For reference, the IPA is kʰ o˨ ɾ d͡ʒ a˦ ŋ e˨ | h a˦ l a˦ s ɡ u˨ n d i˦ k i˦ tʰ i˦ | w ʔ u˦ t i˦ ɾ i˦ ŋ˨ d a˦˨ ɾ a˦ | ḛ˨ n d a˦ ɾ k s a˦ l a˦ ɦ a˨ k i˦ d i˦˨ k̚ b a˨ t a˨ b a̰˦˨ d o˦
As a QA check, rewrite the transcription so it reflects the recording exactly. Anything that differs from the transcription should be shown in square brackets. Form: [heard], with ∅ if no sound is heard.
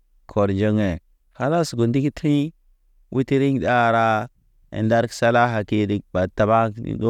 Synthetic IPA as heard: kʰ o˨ ɾ d͡ʒ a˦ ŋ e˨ | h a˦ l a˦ s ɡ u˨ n d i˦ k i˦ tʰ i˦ | w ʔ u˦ t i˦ ɾ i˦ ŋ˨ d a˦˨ ɾ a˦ | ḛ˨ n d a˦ ɾ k s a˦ l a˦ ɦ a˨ k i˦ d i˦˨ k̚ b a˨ t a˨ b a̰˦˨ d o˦